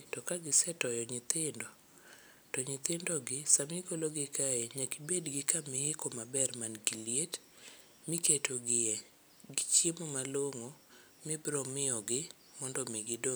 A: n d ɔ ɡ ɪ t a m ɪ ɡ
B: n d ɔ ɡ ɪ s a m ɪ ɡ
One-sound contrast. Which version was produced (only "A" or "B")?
B